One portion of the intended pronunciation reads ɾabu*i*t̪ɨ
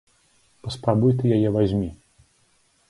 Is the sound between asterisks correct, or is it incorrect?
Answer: incorrect